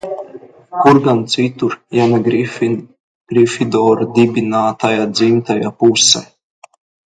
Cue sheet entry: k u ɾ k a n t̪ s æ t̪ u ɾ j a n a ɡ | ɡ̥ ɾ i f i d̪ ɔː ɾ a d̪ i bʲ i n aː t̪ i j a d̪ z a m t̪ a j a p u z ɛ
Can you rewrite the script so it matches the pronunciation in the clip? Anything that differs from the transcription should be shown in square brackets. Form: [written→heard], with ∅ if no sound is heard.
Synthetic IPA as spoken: k u ɾ [k→ɡ] a n t̪ s [æ→i] t̪ u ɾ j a n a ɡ | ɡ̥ ɾ i f i d̪ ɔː ɾ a d̪ i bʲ i n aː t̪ [i→a] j a d̪ z [a→i] m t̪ a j a p u [z→s] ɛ

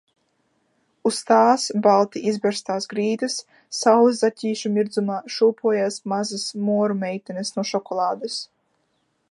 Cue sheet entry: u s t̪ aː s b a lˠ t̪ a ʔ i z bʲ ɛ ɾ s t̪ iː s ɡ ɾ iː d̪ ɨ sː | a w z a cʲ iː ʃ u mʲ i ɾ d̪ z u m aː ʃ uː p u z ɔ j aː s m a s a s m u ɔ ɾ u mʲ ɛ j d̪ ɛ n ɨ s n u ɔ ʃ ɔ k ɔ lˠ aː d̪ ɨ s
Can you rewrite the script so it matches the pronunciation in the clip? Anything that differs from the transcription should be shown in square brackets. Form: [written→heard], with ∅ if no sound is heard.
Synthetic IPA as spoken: u s t̪ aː s b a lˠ t̪ [a→i] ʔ i z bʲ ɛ ɾ s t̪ [iː→aː] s ɡ ɾ iː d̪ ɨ sː | a w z a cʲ iː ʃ u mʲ i ɾ d̪ z u m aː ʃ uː p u [z→∅] ɔ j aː s m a [s→z] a s m u ɔ ɾ u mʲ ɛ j [d̪→t̪] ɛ n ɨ s n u ɔ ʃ ɔ k ɔ lˠ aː d̪ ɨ s

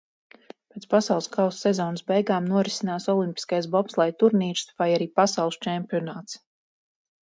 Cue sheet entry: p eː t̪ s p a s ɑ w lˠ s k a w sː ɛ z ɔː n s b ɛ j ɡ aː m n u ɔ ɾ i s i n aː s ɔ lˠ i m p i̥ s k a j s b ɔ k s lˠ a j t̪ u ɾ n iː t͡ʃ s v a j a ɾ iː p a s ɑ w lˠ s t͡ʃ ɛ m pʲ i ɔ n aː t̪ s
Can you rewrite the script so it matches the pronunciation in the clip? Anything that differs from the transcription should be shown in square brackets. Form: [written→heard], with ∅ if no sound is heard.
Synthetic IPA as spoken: p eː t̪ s p a s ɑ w lˠ s k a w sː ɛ z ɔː n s b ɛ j ɡ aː m n u ɔ ɾ i s i n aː s ɔ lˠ i m p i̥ s k a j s b ɔ [k→p] s lˠ a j t̪ u ɾ n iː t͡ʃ s v a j a ɾ iː p a s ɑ w lˠ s t͡ʃ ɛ m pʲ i ɔ n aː t̪ s

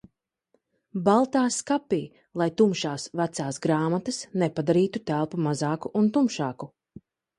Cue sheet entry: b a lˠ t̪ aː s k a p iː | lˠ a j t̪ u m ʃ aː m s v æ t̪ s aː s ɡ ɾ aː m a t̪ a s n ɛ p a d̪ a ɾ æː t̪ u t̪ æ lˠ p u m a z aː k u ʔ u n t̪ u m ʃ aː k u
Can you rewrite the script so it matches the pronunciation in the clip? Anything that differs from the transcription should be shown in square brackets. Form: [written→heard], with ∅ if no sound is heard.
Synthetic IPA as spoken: b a lˠ t̪ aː s k a p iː | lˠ a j t̪ u m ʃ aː [m→∅] s v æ t̪ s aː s ɡ ɾ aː m a t̪ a s n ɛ p a d̪ a ɾ [æː→iː] t̪ u t̪ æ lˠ p u m a z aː k u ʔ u n t̪ u m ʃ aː k u

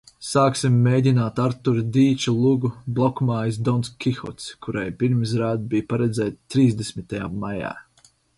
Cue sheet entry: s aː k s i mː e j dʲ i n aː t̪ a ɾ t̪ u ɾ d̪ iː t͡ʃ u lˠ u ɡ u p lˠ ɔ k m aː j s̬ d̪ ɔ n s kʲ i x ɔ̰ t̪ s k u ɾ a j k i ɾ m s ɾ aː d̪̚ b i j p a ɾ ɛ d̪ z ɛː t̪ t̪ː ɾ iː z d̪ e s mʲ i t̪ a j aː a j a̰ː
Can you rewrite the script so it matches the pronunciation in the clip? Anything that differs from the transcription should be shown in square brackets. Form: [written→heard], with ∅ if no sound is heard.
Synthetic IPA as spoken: s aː k s i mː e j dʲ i n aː t̪ a ɾ t̪ u ɾ d̪ iː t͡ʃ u lˠ u ɡ u [p→b] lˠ ɔ k m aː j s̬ d̪ ɔ n s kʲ i x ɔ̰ t̪ s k u ɾ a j [k→p] i ɾ m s ɾ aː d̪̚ b i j p a ɾ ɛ d̪ z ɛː t̪ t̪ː ɾ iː z d̪ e s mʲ i t̪ a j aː a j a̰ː

